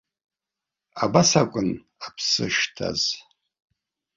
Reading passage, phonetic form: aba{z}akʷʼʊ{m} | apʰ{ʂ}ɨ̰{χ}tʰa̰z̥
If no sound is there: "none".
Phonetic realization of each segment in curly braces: s, n, s, ʃ

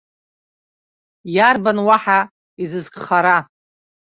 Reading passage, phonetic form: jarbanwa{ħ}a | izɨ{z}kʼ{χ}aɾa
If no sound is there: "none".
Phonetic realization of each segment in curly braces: ħ, z, χ

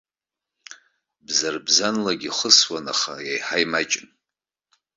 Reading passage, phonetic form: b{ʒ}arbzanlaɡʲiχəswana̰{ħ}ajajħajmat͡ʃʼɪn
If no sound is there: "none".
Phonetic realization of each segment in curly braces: z, χ

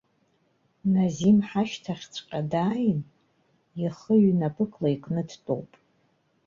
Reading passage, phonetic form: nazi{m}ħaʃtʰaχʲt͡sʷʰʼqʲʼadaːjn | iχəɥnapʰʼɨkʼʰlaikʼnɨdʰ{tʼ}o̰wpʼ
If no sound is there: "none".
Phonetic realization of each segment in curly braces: m, tʼ

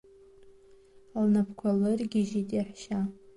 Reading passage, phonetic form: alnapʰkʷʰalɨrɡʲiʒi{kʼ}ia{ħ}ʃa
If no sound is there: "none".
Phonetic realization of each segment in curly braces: tʼ, ħ

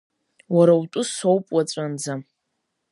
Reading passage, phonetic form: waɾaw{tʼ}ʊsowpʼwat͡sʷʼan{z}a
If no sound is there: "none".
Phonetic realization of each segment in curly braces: tʼ, d͡z

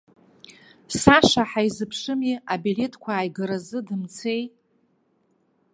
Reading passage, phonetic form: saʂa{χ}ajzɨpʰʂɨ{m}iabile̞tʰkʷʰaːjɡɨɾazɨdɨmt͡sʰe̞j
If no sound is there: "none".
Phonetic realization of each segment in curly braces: ħ, m

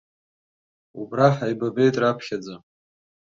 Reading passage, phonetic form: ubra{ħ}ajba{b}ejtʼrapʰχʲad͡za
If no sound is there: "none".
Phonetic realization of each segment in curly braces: ħ, b

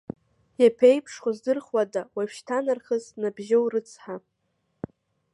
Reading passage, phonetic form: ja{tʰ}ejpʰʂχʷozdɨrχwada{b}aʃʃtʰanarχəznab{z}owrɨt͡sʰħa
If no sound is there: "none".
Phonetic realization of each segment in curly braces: pʰ, w, ʒ

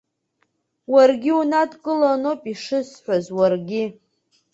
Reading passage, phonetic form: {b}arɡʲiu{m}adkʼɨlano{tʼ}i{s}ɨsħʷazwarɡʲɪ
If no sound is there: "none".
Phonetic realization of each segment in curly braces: w, n, pʼ, ʂ

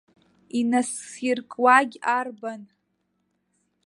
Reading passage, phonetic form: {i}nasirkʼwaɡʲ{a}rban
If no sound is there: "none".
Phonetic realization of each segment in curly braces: i, a

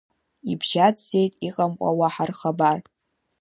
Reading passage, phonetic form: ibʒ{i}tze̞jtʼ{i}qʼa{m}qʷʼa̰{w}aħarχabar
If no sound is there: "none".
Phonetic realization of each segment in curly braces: a, i, m, w

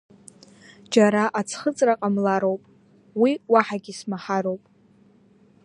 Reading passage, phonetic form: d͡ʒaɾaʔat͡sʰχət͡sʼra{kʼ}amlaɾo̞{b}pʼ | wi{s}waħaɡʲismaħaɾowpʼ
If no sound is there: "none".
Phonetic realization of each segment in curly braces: qʼ, w, none

